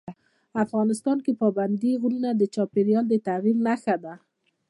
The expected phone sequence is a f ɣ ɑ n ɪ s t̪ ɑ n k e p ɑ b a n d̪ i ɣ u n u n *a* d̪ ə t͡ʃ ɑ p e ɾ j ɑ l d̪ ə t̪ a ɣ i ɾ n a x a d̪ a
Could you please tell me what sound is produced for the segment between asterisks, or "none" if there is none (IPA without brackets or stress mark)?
a